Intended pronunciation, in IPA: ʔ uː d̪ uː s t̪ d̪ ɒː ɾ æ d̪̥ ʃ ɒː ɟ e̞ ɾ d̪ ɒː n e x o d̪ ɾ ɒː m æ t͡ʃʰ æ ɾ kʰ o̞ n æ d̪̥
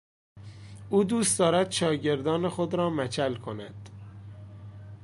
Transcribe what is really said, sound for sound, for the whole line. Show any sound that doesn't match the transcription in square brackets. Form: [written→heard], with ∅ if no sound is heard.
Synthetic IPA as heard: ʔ uː d̪ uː s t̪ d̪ ɒː ɾ æ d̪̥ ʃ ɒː ɟ e̞ ɾ d̪ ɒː n e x o d̪ ɾ ɒː m æ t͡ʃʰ æ [ɾ→l] kʰ o̞ n æ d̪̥